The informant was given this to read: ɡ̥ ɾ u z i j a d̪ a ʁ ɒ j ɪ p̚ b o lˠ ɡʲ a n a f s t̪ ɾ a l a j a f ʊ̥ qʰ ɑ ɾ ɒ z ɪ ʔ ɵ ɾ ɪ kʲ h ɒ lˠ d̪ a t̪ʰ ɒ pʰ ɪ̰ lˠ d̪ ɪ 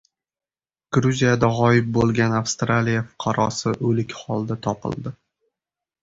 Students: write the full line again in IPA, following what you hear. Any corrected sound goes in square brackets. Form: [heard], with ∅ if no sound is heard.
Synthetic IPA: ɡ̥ ɾ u z i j a d̪ a ʁ ɒ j ɪ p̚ b o lˠ ɡʲ a n a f s t̪ ɾ a l [i] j a f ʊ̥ qʰ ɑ ɾ ɒ [s] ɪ ʔ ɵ [l] ɪ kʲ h ɒ lˠ d̪ a t̪ʰ ɒ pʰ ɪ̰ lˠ d̪ ɪ

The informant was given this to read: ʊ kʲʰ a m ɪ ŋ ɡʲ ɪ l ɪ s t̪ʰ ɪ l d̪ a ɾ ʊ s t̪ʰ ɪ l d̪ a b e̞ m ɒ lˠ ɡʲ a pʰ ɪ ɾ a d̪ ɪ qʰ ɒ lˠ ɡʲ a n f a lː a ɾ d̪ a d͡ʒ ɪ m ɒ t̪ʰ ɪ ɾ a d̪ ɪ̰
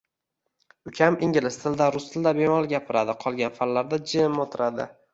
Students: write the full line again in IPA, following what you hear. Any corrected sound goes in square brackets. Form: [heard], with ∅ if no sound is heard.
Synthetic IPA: ʊ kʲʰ a m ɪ ŋ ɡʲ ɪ l ɪ s t̪ʰ ɪ l d̪ a ɾ ʊ s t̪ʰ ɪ l d̪ a b e̞ m ɒ lˠ ɡʲ a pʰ ɪ ɾ a d̪ ɪ qʰ ɒ lˠ ɡʲ a n f a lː a ɾ d̪ a d͡ʒ ɪ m [o] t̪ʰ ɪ ɾ a d̪ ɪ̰

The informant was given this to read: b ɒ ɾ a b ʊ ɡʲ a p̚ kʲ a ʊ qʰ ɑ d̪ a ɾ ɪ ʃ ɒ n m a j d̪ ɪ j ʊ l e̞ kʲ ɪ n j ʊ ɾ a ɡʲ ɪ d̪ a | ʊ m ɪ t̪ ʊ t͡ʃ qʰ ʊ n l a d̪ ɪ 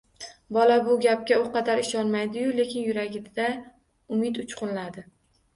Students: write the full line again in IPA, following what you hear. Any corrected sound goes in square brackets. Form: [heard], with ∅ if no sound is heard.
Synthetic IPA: b ɒ [l] a b ʊ ɡʲ a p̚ kʲ a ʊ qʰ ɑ d̪ a ɾ ɪ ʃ ɒ n m a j d̪ ɪ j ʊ l e̞ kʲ ɪ n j ʊ ɾ a ɡʲ ɪ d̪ a | ʊ m ɪ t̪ ʊ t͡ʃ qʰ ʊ n l a d̪ ɪ

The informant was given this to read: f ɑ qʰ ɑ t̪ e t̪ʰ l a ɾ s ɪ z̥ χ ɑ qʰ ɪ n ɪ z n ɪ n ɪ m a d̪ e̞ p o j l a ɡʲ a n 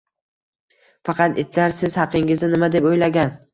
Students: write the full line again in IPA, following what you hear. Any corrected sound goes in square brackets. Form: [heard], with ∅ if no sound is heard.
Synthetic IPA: f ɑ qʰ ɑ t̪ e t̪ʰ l a ɾ s ɪ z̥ [h] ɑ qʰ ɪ [ŋ] ɪ z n ɪ n ɪ m a d̪ e̞ p o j l a ɡʲ a n

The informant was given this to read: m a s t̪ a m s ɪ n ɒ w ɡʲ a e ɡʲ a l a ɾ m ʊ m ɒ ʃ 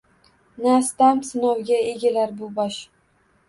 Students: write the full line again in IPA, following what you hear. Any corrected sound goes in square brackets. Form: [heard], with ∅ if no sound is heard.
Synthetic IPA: [n] a s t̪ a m s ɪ n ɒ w ɡʲ a e ɡʲ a l a ɾ [b] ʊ [b] ɒ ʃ

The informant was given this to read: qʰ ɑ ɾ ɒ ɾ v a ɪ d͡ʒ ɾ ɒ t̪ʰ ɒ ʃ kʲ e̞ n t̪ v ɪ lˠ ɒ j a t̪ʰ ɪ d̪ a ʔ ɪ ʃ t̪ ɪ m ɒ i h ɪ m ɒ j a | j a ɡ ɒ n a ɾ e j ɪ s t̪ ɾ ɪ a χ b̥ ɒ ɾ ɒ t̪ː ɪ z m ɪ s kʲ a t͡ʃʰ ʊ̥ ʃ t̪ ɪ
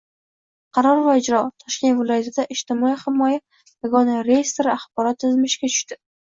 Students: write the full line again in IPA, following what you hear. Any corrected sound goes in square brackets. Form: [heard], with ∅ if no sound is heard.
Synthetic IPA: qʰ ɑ ɾ ɒ ɾ v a ɪ d͡ʒ ɾ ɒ t̪ʰ ɒ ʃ kʲ e̞ n t̪ v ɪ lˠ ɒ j a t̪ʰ ɪ d̪ a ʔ ɪ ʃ t̪ ɪ m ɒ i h ɪ m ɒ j a | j a ɡ ɒ n a ɾ e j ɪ s t̪ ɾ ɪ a χ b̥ ɒ ɾ ɒ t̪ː ɪ z m ɪ [ʃ] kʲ a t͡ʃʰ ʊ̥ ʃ t̪ ɪ

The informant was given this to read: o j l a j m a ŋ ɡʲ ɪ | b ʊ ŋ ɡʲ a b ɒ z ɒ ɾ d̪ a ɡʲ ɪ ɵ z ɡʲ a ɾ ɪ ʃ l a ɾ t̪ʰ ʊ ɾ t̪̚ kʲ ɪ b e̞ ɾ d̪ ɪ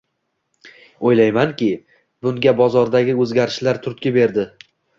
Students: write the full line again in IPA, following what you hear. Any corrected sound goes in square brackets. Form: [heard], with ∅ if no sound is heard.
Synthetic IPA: o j l a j m a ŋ [kʲ] ɪ | b ʊ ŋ ɡʲ a b ɒ z ɒ ɾ d̪ a ɡʲ ɪ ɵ z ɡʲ a ɾ ɪ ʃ l a ɾ t̪ʰ ʊ ɾ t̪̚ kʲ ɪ b e̞ ɾ d̪ ɪ

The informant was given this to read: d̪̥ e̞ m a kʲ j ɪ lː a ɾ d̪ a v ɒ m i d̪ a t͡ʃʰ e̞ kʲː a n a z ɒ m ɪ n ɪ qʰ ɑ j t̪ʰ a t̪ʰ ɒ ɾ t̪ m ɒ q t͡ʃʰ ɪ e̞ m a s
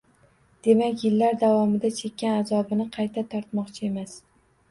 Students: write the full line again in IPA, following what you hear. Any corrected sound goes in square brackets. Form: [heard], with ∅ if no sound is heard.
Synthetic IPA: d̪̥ e̞ m a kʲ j ɪ lː a ɾ d̪ a v ɒ m [ɪ] d̪ a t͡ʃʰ e̞ kʲː a n a z ɒ [b] ɪ n ɪ qʰ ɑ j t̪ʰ a t̪ʰ ɒ ɾ t̪ m ɒ q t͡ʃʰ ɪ e̞ m a s

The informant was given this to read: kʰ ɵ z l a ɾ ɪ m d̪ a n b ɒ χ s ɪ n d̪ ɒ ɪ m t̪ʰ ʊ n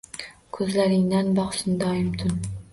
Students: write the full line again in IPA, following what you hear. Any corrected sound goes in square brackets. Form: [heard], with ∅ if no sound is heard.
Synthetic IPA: kʰ ɵ z l a ɾ ɪ [ŋ] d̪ a n b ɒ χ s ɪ n d̪ ɒ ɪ m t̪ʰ ʊ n

